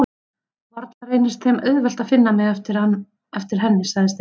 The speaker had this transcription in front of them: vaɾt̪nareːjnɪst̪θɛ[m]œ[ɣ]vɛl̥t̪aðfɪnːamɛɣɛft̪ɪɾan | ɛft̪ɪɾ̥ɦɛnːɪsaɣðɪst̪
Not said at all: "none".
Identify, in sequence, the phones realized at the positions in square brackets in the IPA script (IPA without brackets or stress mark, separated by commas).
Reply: m, ð